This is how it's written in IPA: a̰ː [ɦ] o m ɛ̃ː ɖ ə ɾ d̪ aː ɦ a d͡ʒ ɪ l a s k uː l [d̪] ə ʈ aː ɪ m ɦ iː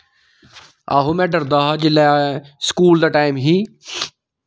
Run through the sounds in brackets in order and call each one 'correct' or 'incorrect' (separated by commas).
correct, correct